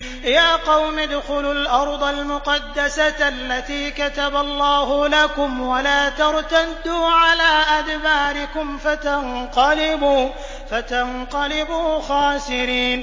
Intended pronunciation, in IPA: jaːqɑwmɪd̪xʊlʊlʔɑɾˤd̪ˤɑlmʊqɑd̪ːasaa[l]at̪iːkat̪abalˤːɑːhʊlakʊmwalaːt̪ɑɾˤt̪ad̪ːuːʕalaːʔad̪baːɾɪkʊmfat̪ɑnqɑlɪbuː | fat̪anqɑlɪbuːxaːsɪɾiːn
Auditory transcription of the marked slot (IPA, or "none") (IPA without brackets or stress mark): lː